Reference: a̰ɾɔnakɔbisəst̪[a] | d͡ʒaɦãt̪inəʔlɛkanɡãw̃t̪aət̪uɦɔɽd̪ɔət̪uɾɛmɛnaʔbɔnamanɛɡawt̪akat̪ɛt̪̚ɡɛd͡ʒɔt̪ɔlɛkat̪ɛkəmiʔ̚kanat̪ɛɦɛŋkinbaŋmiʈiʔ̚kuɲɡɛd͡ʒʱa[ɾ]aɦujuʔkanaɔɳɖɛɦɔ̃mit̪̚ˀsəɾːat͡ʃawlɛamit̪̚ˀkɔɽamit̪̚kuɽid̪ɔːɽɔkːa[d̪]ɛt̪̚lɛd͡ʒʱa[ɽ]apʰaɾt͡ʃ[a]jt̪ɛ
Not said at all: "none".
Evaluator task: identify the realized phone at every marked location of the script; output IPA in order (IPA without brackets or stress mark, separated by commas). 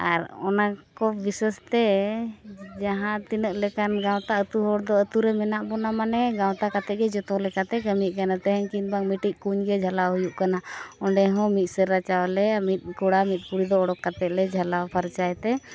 ɛ, l, t̪, l, a